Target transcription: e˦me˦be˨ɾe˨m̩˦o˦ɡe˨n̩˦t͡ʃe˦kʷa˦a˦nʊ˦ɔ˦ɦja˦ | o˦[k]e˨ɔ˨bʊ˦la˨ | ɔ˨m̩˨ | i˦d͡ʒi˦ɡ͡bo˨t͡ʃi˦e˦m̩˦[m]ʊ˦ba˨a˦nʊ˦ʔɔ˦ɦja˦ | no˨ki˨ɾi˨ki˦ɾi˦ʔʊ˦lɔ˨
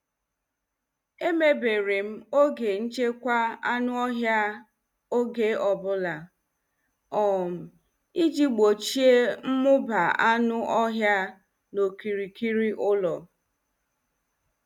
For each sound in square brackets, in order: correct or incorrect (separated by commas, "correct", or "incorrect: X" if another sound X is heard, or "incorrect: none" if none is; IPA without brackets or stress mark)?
incorrect: ɡ, correct